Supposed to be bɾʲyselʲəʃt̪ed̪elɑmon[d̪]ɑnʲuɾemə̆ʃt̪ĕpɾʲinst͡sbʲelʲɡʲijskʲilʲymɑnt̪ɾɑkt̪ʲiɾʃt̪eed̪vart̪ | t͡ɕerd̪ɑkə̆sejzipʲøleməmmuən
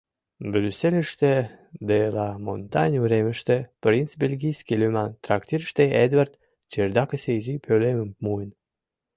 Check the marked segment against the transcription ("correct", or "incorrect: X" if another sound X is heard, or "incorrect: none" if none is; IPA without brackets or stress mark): incorrect: t̪